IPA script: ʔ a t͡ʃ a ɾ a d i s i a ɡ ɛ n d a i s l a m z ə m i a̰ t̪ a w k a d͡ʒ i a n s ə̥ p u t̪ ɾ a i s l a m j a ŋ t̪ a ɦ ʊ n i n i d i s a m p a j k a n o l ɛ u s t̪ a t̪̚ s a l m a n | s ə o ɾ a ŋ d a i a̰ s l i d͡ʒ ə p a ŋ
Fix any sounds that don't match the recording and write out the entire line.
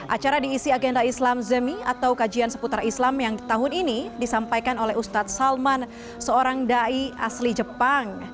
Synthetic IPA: ʔ a t͡ʃ a ɾ a d iː s i a ɡ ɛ n d a i s l a m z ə m i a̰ t̪ a w k a d͡ʒ i a n s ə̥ p u t̪ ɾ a i s l a m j a ŋ t̪ a ɦ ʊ n i n i d i s a m p a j k a n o l ɛ u s t̪ a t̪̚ s a l m a n | s ə o ɾ a ŋ d a i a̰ s l i d͡ʒ ə p a ŋ